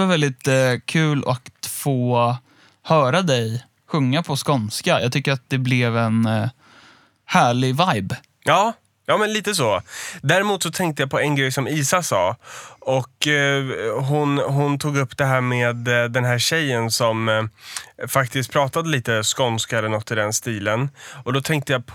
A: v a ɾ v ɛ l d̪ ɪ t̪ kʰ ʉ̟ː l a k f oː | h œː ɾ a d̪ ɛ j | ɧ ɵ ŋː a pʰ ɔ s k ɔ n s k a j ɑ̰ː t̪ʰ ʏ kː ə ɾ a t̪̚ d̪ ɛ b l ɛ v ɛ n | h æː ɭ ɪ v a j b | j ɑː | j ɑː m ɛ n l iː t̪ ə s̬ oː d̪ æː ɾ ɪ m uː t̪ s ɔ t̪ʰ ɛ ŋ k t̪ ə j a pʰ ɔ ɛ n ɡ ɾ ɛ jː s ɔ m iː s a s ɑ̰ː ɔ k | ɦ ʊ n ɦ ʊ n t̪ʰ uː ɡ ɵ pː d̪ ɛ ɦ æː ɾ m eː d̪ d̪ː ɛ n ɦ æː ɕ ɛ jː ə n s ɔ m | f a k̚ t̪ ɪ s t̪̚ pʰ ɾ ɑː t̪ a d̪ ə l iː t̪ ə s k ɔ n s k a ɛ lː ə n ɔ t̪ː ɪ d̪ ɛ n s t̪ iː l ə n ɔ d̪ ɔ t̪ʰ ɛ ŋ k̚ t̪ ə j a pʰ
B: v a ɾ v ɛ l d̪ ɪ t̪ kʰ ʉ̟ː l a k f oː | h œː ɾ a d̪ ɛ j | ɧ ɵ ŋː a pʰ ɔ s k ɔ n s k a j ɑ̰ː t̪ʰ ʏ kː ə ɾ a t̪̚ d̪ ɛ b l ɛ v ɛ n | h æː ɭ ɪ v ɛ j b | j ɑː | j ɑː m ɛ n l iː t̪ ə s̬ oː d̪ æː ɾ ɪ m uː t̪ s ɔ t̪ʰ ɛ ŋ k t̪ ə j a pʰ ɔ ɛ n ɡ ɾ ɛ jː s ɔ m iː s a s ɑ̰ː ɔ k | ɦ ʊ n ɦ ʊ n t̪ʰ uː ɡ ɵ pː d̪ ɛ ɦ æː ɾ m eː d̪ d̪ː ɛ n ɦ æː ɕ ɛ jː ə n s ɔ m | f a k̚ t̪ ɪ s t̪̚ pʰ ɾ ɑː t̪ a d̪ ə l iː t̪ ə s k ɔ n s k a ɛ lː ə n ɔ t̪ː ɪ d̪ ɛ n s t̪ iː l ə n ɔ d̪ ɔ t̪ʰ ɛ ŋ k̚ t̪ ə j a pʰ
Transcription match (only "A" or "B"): A